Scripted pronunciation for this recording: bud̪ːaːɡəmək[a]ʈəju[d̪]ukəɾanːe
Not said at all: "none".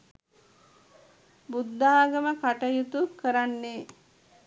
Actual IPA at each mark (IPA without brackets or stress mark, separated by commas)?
a, t̪